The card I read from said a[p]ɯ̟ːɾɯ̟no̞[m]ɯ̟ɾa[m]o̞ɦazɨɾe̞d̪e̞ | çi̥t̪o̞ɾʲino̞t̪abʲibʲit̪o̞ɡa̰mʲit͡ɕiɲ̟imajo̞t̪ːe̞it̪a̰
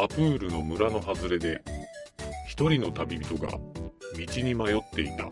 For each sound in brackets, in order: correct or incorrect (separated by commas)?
correct, correct, incorrect